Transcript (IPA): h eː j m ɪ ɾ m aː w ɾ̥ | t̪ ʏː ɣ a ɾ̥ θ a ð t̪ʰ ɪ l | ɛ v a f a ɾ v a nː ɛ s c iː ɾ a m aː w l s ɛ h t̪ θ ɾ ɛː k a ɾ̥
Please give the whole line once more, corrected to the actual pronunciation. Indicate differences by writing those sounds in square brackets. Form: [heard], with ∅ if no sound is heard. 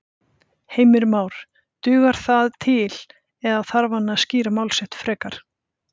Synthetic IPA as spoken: h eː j m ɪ ɾ m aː w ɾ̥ | t̪ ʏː ɣ a ɾ̥ θ a ð t̪ʰ ɪ l | ɛ [ð] a [θ] a ɾ v a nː [a] s c iː ɾ a m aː w l s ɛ h t̪ [f] ɾ ɛː k a ɾ̥